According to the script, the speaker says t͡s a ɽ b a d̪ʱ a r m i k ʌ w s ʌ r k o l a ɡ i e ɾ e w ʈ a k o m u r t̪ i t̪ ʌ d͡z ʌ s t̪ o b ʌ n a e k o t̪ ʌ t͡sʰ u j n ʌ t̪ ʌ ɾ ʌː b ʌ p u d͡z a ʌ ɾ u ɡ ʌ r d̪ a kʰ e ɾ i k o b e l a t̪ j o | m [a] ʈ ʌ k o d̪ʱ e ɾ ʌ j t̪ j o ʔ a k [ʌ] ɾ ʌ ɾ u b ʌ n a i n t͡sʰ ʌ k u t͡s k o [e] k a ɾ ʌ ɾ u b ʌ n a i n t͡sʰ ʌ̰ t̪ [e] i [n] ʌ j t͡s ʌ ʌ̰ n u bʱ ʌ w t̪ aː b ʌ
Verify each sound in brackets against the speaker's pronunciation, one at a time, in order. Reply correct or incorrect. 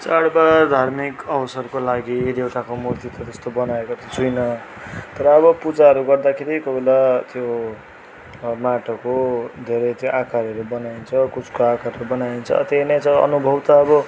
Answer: correct, incorrect, incorrect, correct, correct

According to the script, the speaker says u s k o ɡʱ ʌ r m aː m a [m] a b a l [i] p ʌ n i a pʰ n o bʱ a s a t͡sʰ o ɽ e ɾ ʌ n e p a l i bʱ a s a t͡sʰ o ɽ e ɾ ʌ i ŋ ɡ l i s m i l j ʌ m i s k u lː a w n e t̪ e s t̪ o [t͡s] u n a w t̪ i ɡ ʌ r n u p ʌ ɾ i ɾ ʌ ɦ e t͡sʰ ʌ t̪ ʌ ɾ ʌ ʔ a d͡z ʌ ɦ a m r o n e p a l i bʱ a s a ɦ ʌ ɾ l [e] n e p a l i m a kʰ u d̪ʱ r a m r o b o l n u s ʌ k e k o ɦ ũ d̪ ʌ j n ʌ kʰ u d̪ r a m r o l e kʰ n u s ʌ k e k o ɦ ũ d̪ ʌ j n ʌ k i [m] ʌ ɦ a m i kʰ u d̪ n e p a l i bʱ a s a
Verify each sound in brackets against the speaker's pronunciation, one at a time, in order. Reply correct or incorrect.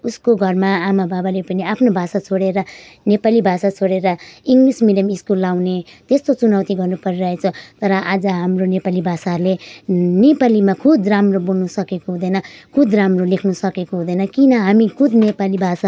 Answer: incorrect, incorrect, correct, correct, incorrect

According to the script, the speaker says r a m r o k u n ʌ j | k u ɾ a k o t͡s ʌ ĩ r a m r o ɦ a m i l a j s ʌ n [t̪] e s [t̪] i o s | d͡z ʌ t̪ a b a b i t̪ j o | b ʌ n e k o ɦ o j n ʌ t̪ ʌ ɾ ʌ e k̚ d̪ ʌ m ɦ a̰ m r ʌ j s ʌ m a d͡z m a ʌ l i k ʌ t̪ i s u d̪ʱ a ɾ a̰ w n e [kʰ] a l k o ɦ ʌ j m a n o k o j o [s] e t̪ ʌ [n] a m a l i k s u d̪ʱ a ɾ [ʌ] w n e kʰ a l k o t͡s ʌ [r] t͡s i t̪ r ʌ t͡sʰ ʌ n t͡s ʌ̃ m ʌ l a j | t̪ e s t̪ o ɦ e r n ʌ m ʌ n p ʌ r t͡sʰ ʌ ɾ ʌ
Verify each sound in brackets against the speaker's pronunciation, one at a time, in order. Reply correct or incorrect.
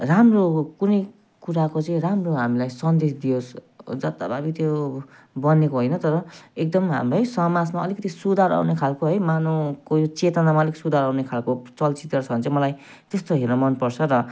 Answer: incorrect, incorrect, correct, incorrect, correct, incorrect, incorrect

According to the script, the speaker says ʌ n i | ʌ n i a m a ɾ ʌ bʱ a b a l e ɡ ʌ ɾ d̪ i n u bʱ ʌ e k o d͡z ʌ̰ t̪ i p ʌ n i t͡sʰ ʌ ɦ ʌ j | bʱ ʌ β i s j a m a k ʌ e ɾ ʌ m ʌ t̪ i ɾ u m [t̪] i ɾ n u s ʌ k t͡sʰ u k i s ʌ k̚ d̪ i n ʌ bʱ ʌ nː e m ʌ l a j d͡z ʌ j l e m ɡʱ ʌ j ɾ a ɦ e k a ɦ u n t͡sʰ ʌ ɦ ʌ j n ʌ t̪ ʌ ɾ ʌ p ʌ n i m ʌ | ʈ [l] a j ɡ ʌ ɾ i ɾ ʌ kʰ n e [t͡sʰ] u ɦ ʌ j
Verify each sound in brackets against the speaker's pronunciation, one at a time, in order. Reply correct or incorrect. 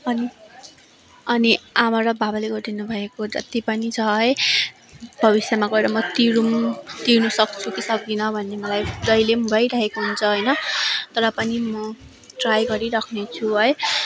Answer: correct, incorrect, correct

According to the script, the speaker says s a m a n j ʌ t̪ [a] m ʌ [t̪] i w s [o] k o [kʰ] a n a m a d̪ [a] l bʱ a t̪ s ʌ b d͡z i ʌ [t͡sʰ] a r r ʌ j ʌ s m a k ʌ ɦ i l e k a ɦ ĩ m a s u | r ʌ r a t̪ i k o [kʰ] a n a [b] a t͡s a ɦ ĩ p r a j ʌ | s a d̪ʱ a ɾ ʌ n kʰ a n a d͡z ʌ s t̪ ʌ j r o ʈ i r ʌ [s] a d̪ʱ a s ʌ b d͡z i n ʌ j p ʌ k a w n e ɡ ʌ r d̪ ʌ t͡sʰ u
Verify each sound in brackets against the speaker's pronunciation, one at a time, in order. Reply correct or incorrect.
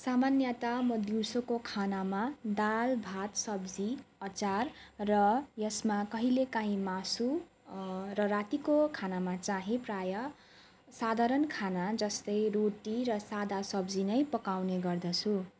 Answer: correct, incorrect, correct, correct, correct, incorrect, correct, incorrect, correct

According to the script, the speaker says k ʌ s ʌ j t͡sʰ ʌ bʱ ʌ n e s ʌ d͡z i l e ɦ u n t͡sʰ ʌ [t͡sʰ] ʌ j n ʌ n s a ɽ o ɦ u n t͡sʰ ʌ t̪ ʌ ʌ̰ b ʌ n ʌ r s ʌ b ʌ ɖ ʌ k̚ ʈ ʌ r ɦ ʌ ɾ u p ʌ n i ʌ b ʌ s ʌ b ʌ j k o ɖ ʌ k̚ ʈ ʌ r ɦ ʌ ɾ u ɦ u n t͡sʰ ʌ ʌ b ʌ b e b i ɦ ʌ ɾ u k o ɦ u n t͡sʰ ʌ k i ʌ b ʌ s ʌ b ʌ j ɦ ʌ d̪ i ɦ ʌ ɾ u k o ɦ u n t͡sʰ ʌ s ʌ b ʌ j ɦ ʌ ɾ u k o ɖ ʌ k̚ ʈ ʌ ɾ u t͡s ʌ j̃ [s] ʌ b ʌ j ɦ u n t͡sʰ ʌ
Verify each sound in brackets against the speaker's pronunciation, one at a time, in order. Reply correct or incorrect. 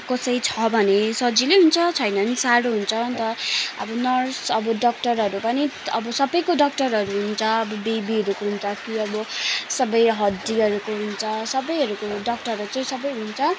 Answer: correct, correct

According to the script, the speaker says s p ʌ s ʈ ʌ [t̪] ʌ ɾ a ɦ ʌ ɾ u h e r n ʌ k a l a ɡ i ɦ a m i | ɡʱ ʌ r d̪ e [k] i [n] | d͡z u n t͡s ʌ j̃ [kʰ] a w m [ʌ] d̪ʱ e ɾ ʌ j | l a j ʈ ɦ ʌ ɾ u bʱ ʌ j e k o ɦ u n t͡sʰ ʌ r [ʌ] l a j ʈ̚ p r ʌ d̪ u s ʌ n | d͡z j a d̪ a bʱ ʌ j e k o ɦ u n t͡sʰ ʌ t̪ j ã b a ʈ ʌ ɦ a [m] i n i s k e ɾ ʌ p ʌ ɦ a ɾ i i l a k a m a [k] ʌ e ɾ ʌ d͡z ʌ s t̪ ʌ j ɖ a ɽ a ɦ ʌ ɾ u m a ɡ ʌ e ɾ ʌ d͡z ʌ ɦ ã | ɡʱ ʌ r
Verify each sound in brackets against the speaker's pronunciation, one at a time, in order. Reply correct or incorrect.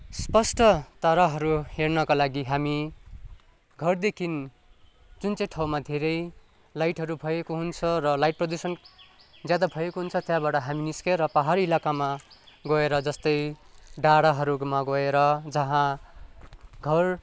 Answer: correct, incorrect, correct, incorrect, incorrect, correct, correct, incorrect

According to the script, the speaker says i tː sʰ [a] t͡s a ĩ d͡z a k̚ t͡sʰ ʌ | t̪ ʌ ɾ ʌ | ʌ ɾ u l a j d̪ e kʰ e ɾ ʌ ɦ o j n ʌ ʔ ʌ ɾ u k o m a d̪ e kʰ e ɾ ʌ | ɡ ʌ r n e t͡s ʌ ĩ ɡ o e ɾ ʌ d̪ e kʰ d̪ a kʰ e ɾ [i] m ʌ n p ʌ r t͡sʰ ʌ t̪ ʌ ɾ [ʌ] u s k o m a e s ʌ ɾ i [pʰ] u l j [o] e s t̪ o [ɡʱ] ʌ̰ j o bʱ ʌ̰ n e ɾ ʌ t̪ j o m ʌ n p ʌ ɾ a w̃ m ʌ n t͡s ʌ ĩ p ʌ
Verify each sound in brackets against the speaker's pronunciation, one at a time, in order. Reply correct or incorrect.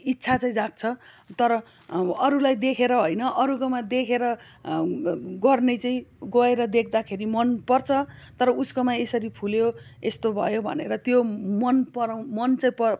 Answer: correct, correct, correct, correct, correct, incorrect

